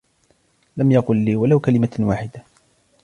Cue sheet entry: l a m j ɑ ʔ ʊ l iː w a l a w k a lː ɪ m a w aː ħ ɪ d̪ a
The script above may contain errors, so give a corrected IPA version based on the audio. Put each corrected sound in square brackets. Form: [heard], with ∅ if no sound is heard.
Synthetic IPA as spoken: l a m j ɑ [q] ʊ [lː] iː w a l a w k a [l] ɪ m a w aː ħ ɪ d̪ a